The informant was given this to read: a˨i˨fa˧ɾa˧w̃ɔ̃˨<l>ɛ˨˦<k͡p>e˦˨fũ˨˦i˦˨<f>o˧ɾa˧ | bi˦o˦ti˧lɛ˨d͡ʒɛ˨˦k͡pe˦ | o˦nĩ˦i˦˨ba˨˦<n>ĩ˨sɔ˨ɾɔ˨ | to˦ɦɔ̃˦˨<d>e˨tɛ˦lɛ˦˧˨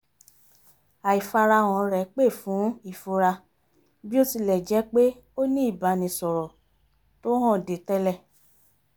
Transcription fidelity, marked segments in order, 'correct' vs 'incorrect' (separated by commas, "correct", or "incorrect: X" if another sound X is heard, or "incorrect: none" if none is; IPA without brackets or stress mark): incorrect: ɾ, correct, correct, correct, correct